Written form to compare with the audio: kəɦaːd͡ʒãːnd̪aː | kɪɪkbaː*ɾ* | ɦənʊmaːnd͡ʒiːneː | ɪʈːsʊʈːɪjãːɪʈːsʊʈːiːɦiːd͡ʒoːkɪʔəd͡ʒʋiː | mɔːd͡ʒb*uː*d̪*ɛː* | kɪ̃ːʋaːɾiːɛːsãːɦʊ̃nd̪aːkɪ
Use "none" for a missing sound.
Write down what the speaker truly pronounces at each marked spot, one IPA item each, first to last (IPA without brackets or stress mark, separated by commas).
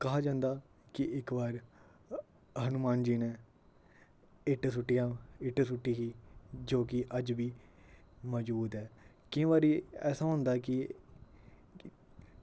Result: ɾ, uː, ɛː